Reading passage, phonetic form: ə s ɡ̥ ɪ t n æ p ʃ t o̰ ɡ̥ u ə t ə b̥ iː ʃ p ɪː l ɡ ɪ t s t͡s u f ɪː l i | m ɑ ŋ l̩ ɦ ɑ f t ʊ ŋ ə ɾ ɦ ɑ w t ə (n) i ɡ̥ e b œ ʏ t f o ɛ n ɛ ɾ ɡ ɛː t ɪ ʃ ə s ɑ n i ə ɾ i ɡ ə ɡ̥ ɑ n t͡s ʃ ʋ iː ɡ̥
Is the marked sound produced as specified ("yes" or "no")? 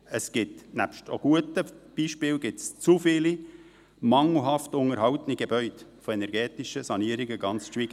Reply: yes